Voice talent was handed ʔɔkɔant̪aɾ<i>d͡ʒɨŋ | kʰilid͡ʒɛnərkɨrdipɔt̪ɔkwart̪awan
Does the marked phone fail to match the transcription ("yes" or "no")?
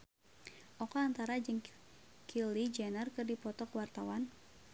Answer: yes